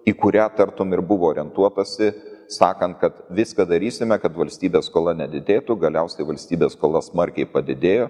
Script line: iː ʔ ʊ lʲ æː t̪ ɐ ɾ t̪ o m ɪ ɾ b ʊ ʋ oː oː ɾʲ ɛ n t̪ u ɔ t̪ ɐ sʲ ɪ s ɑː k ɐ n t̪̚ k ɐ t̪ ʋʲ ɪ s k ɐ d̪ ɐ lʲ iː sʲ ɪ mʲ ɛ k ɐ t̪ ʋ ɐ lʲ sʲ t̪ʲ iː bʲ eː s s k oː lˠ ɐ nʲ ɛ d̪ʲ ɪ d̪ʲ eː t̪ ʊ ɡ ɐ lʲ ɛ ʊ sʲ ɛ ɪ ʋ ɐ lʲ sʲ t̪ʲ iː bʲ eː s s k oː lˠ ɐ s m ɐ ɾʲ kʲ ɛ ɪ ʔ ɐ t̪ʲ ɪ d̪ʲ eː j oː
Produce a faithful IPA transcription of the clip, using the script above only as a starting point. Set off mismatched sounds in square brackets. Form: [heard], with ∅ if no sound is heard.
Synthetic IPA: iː [k] ʊ [ɾʲ] æː t̪ ɐ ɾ t̪ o m ɪ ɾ b ʊ ʋ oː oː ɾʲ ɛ n t̪ u ɔ t̪ ɐ sʲ ɪ s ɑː k ɐ n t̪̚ k ɐ t̪ ʋʲ ɪ s k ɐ d̪ ɐ [ɾʲ] iː sʲ ɪ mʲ ɛ k ɐ t̪ ʋ ɐ lʲ sʲ t̪ʲ iː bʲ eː s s k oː lˠ ɐ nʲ ɛ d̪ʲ ɪ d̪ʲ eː t̪ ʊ ɡ ɐ lʲ ɛ ʊ sʲ ɛ ɪ ʋ ɐ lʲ sʲ t̪ʲ iː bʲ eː s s k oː lˠ ɐ s m ɐ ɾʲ kʲ ɛ ɪ [p] ɐ [d̪ʲ] ɪ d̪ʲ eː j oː

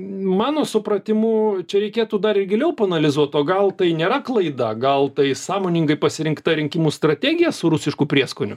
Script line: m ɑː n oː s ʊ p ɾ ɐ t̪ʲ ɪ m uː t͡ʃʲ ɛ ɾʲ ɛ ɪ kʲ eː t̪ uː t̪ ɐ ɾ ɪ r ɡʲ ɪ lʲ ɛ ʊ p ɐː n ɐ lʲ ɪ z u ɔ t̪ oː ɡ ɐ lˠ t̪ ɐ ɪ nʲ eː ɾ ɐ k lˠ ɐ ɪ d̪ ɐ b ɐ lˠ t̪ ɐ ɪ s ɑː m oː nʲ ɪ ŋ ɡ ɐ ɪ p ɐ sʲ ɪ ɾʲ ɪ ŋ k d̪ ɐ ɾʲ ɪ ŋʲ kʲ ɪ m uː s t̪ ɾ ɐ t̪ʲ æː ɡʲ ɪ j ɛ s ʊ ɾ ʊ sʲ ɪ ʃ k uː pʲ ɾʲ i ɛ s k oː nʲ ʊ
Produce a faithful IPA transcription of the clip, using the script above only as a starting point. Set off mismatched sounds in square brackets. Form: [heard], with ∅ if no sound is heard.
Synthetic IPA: m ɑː n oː s ʊ p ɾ ɐ t̪ʲ ɪ m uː t͡ʃʲ ɛ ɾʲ ɛ ɪ kʲ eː t̪ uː [d̪] ɐ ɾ ɪ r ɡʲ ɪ lʲ ɛ ʊ p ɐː n ɐ lʲ ɪ z u ɔ t̪ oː ɡ ɐ lˠ t̪ ɐ ɪ nʲ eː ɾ ɐ k lˠ ɐ ɪ d̪ ɐ [ɡ] ɐ lˠ t̪ ɐ ɪ s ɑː m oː nʲ ɪ ŋ ɡ ɐ ɪ p ɐ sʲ ɪ ɾʲ ɪ ŋ k [t̪] ɐ ɾʲ ɪ ŋʲ kʲ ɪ m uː s t̪ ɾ ɐ t̪ʲ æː ɡʲ ɪ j ɛ s ʊ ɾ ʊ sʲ ɪ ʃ k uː pʲ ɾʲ i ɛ s k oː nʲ ʊ

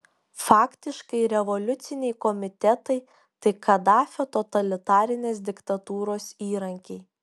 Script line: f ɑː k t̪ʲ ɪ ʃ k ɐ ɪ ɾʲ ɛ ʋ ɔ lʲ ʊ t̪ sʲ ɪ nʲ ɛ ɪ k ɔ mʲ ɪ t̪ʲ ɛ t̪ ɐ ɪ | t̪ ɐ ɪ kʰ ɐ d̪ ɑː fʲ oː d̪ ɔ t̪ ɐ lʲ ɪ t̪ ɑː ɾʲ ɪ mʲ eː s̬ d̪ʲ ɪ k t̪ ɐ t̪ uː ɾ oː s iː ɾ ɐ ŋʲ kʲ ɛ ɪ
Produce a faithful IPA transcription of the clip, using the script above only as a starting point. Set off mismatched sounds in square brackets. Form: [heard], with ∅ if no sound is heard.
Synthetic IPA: f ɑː k t̪ʲ ɪ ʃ k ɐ ɪ ɾʲ ɛ ʋ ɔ lʲ ʊ t̪ sʲ ɪ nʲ ɛ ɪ k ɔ mʲ ɪ t̪ʲ ɛ t̪ ɐ ɪ | t̪ ɐ ɪ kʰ ɐ d̪ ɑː fʲ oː [t̪] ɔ t̪ ɐ lʲ ɪ t̪ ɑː ɾʲ ɪ [nʲ] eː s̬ d̪ʲ ɪ k t̪ ɐ t̪ uː ɾ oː s iː ɾ ɐ ŋʲ kʲ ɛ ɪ

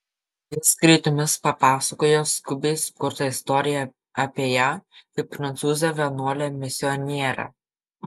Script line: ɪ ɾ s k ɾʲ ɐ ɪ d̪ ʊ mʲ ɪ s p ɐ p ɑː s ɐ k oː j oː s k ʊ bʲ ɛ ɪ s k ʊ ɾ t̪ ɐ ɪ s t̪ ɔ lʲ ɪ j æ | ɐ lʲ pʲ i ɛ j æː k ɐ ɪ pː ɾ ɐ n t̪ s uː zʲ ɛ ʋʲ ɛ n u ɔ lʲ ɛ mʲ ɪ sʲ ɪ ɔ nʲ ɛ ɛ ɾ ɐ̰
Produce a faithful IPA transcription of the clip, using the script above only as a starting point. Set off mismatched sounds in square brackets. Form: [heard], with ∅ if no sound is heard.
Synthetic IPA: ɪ [∅] s k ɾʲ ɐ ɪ [t̪] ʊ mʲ ɪ s p ɐ p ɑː s ɐ k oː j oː s k ʊ bʲ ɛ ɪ s k ʊ ɾ t̪ ɐ ɪ s t̪ ɔ [ɾʲ] ɪ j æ | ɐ [∅] pʲ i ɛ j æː k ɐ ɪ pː ɾ ɐ n t̪ s uː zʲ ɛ ʋʲ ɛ n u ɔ lʲ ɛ mʲ ɪ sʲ ɪ ɔ nʲ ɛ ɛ ɾ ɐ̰

